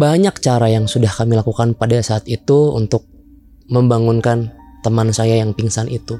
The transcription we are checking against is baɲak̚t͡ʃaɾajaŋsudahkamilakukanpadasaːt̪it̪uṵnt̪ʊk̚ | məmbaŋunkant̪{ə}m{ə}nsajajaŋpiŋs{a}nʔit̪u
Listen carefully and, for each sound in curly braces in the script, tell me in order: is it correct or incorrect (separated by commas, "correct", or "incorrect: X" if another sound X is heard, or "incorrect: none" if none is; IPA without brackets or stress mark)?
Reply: correct, incorrect: a, correct